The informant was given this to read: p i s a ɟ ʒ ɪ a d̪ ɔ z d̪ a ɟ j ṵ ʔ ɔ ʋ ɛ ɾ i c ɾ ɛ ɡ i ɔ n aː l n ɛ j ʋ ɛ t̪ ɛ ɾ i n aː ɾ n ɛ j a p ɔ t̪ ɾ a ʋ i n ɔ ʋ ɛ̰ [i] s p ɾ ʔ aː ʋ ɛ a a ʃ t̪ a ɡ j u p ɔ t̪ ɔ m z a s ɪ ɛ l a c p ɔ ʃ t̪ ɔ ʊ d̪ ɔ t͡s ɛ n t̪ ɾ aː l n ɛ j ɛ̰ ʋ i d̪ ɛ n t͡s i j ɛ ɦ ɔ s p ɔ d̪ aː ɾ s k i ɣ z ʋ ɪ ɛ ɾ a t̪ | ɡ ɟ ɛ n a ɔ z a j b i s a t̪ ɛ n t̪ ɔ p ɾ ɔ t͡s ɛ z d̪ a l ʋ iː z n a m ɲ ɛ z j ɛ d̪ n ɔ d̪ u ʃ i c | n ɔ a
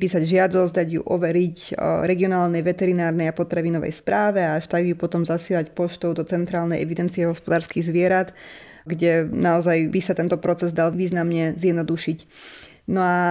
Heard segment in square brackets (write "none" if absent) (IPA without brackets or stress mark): j